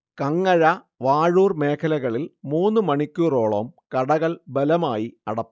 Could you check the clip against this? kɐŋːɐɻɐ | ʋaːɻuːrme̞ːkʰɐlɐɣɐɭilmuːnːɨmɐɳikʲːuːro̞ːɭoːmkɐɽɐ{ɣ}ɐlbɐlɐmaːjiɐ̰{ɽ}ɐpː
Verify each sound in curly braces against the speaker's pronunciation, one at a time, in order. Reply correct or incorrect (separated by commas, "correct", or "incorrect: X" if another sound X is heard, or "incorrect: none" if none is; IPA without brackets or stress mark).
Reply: correct, correct